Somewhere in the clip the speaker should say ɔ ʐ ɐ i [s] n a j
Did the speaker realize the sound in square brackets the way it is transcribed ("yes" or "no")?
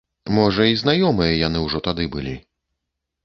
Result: no